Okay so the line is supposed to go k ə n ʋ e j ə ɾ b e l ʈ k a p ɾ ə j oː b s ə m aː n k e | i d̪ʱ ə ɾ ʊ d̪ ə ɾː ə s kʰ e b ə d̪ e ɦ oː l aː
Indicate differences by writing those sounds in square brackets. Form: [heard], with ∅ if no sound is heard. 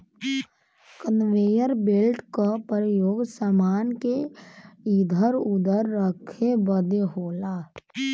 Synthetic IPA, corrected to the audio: k ə n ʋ e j ə ɾ b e l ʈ k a p ɾ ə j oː [ɡ] s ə m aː n k e | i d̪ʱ ə ɾ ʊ d̪ ə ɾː ə [∅] kʰ e b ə d̪ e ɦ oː l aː